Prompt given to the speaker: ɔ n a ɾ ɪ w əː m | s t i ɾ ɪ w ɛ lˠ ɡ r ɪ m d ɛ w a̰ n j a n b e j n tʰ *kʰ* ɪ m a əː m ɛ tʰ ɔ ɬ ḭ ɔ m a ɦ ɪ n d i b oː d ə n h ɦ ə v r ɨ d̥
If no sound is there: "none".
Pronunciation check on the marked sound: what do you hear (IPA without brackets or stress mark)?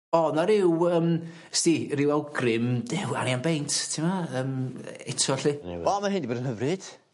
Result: tʰ